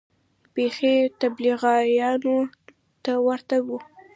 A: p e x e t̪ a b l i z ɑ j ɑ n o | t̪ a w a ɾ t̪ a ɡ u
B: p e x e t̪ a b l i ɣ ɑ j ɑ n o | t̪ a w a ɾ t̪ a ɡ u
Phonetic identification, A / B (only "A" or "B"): B